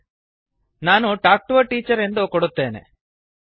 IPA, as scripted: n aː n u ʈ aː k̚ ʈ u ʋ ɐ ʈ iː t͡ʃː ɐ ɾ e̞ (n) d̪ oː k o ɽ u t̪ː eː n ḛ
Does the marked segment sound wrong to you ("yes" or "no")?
no